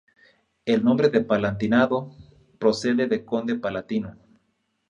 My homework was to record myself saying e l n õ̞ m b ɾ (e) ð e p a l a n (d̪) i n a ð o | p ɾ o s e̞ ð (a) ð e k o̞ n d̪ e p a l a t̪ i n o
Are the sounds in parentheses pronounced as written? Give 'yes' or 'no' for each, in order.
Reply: yes, no, no

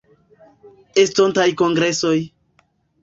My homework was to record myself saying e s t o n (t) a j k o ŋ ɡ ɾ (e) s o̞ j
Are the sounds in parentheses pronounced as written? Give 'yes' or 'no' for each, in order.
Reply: yes, yes

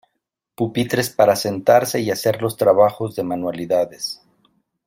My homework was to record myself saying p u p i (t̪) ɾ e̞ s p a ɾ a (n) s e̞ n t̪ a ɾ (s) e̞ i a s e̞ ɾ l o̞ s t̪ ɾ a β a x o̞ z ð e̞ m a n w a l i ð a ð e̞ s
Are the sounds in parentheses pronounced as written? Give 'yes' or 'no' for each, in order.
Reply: yes, no, yes

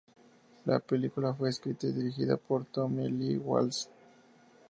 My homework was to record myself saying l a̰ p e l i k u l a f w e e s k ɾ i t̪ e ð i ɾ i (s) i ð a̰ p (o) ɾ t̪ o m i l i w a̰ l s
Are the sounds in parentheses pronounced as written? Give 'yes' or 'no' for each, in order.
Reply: no, yes

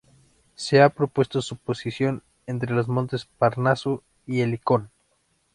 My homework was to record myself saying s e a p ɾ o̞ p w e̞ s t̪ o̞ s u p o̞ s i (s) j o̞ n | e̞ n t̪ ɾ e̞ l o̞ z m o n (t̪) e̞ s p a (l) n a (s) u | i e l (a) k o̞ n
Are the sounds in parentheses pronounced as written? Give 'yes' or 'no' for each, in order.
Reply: yes, yes, no, yes, no

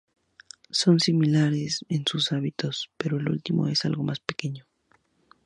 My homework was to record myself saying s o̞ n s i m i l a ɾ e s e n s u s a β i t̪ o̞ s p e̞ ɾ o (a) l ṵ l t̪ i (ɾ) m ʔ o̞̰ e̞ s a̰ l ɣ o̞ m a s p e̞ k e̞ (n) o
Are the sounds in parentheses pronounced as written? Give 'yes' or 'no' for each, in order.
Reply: no, no, no

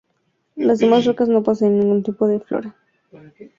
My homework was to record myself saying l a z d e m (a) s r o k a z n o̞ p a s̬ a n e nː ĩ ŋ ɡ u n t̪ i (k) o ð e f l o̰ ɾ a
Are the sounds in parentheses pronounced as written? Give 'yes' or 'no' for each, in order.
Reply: yes, no

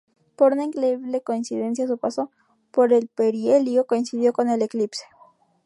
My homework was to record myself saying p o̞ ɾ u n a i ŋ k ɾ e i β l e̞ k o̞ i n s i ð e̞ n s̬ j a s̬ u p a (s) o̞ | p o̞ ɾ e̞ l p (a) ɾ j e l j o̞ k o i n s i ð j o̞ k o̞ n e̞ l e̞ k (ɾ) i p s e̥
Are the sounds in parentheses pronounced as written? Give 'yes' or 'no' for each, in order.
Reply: yes, no, no

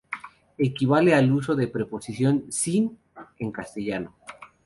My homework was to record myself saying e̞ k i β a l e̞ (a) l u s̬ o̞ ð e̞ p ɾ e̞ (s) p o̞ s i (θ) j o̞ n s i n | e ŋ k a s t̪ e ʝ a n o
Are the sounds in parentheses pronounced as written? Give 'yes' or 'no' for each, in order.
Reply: yes, no, no

